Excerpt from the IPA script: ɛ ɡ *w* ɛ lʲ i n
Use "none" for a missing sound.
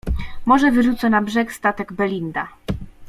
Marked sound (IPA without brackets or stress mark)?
b